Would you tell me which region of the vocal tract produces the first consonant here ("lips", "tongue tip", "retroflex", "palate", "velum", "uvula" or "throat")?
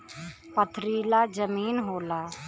lips